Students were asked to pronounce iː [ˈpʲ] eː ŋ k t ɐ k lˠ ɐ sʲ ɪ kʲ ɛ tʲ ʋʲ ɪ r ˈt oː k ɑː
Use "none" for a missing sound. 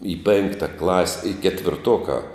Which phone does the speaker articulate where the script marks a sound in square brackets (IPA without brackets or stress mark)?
pʲ